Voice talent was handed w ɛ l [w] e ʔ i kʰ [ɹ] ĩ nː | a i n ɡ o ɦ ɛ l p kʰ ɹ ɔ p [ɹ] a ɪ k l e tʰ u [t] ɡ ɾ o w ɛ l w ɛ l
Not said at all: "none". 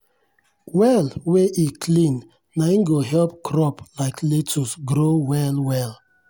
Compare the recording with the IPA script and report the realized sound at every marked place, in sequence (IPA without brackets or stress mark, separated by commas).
w, l, l, s